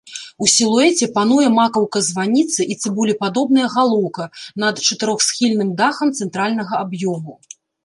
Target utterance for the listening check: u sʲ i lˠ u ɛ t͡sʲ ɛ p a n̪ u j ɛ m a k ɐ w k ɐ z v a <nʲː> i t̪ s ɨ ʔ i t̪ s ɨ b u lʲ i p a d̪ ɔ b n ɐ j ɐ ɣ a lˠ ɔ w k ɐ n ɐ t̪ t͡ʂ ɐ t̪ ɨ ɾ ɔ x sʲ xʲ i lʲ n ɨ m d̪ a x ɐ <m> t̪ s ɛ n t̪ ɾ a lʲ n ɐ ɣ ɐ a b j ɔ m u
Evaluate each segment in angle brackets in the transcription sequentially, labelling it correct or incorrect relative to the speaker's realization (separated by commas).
incorrect, correct